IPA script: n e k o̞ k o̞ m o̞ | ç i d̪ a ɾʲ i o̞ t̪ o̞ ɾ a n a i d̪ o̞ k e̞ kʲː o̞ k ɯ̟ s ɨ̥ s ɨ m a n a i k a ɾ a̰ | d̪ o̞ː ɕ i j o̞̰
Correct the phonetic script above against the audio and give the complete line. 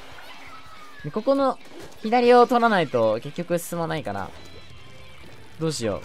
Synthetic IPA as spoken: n e k o̞ k o̞ n o̞ | ç i d̪ a ɾʲ i o̞ t̪ o̞ ɾ a n a i t̪ o̞ k e̞ kʲː o̞ k ɯ̟ s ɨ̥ s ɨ m a n a i k a ɾ a̰ | d̪ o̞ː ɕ i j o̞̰